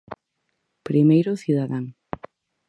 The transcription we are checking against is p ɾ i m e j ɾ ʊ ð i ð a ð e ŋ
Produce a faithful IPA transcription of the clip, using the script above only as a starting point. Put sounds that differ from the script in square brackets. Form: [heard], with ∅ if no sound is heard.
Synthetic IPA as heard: p ɾ i m e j ɾ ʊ [θ] i ð a ð [a] ŋ